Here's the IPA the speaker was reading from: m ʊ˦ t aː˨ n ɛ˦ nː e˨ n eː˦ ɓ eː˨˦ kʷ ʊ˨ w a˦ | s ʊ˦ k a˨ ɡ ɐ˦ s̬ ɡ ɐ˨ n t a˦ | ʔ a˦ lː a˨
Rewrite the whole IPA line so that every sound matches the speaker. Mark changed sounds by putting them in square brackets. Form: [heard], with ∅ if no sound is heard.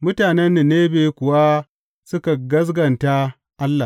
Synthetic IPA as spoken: m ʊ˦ t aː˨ n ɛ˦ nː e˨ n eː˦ [b] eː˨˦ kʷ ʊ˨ w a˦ | s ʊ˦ k a˨ ɡ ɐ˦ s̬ ɡ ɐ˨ n t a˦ | ʔ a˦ lː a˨